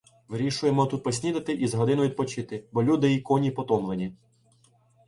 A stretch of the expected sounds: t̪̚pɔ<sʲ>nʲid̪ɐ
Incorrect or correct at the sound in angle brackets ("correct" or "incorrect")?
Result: correct